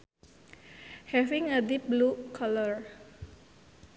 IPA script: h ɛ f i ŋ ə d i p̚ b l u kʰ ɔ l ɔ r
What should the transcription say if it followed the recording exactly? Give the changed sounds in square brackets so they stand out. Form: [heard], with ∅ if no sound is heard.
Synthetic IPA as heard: h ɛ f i ŋ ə d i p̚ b l u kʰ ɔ l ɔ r